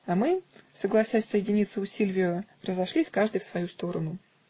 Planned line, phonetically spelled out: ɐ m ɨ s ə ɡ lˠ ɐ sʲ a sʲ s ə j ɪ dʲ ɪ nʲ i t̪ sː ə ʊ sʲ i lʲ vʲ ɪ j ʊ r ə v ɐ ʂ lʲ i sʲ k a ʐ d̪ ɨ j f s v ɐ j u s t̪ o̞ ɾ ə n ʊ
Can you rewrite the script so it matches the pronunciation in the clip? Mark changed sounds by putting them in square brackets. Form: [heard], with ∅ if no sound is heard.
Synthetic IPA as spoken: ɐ m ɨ s ə ɡ lˠ ɐ sʲ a sʲ s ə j ɪ dʲ ɪ nʲ i t̪ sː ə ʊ sʲ i lʲ vʲ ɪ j ʊ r ə [z] ɐ ʂ lʲ i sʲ k a ʐ d̪ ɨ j f s v ɐ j u s t̪ o̞ ɾ ə n ʊ

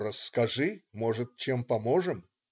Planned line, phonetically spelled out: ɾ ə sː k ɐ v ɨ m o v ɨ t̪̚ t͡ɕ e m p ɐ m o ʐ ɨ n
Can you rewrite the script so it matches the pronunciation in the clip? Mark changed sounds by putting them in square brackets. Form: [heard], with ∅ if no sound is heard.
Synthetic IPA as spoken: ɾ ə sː k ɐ [ʐ] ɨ m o [ʐ] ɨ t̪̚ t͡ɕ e m p ɐ m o ʐ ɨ [m]

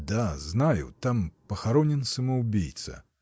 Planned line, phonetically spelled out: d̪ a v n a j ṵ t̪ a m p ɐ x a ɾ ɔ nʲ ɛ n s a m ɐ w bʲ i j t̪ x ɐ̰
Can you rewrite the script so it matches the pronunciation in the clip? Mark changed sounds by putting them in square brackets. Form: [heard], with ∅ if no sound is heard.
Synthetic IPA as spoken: d̪ a [z] n a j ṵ t̪ a m p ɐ x a ɾ ɔ nʲ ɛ n s [ɐ] m ɐ w bʲ i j t̪ [s] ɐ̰

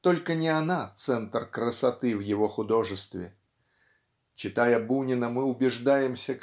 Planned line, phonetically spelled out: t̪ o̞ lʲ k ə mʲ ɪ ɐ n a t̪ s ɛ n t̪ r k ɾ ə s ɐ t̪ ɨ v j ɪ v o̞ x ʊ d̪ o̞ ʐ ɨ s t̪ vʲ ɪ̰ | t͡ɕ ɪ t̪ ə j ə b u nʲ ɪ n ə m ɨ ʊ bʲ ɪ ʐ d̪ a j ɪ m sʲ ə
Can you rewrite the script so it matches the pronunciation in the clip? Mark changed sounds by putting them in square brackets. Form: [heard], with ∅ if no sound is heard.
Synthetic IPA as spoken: t̪ o̞ lʲ k ə [nʲ] ɪ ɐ n a t̪ s ɛ n t̪ r k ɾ ə s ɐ t̪ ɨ v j ɪ v o̞ x ʊ d̪ o̞ ʐ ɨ s t̪ vʲ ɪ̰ | t͡ɕ ɪ t̪ [a] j ə b u nʲ ɪ n ə m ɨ ʊ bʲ ɪ ʐ d̪ a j ɪ m sʲ ə

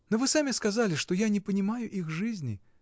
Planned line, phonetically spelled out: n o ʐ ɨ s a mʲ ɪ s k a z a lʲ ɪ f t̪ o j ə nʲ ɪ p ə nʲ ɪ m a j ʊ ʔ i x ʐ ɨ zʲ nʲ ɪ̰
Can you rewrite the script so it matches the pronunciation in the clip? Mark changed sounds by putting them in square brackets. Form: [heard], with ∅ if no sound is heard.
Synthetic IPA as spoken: n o [v] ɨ s a mʲ ɪ s k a z a lʲ ɪ [ʂ] t̪ o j [a] nʲ ɪ p ə nʲ ɪ m a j ʊ ʔ i x ʐ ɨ zʲ nʲ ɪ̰

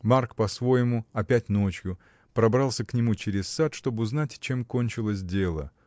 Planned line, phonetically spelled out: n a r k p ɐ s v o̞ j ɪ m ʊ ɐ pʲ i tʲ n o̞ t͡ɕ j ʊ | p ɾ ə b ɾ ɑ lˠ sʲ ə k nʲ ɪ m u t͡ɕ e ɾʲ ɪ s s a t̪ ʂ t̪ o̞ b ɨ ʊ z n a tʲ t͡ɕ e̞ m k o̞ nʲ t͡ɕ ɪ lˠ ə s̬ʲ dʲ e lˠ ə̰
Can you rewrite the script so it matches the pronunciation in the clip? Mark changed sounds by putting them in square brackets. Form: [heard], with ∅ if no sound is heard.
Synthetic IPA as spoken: [m] a r k p ɐ s v o̞ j ɪ m ʊ ɐ pʲ [æ] tʲ n o̞ t͡ɕ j ʊ | p ɾ [ɐ] b ɾ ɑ lˠ sʲ ə k nʲ ɪ m u t͡ɕ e ɾʲ ɪ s s a t̪ ʂ t̪ o̞ b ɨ ʊ z n a tʲ t͡ɕ e̞ m k o̞ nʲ t͡ɕ ɪ lˠ ə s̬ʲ dʲ e lˠ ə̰

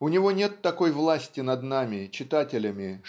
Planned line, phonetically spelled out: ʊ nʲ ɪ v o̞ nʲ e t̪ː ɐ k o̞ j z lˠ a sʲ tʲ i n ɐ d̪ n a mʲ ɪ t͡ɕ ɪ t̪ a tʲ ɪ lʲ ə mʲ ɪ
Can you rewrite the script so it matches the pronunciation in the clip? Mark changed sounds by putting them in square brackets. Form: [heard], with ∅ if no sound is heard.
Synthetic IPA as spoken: ʊ nʲ ɪ v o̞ nʲ e t̪ː ɐ k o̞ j [v] lˠ a sʲ tʲ [ɪ] n ɐ d̪ n a mʲ ɪ t͡ɕ ɪ t̪ a tʲ ɪ lʲ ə mʲ ɪ

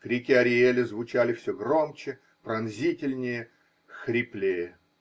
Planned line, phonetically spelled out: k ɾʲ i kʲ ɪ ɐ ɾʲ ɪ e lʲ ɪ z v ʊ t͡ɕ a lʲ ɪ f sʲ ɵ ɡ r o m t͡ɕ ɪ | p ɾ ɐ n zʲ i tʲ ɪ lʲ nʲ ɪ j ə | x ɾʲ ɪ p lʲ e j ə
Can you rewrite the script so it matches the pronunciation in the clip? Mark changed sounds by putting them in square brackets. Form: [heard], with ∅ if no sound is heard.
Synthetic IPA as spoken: k ɾʲ i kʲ ɪ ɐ ɾʲ ɪ e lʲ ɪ z v ʊ t͡ɕ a lʲ ɪ f sʲ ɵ ɡ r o m t͡ɕ ɪ | p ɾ ɐ n zʲ i tʲ ɪ lʲ nʲ ɪ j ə | x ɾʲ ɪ p lʲ e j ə

